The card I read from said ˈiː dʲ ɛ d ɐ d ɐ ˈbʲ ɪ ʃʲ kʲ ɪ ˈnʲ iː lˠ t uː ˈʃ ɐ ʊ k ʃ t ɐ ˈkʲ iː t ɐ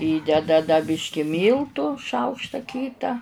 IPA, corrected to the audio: ˈiː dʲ ɛ d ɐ d ɐ ˈbʲ ɪ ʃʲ kʲ ɪ ˈmʲ iː lˠ t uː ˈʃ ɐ ʊ k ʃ t ɐ ˈkʲ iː t ɐ